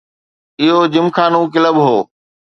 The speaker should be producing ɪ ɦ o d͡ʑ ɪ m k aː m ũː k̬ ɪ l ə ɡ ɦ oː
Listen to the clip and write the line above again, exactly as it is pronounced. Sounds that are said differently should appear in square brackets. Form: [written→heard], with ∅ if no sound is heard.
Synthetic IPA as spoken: ɪ ɦ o d͡ʑ ɪ m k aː [m→n] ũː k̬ ɪ l ə [ɡ→b] ɦ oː